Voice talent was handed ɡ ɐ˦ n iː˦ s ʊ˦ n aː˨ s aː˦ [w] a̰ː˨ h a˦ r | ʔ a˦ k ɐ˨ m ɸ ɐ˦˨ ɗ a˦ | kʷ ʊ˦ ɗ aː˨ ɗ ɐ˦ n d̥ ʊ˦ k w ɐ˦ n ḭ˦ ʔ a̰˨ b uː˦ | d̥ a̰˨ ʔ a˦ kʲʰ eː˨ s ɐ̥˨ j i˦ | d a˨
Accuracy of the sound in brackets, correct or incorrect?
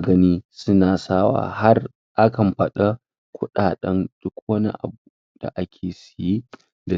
correct